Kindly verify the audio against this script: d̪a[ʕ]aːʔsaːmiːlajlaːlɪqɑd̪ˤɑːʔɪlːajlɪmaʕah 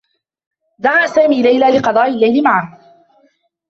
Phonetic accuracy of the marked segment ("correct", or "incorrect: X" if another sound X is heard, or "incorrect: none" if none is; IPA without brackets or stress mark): correct